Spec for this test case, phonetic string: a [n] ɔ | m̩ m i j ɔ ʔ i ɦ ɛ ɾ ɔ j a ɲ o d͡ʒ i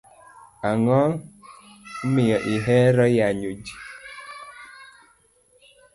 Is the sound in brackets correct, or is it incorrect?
incorrect